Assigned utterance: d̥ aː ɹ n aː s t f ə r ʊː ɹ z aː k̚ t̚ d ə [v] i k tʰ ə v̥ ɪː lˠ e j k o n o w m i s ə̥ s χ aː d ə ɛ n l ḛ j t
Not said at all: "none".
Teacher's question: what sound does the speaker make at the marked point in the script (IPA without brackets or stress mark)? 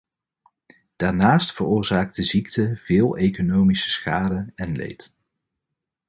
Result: z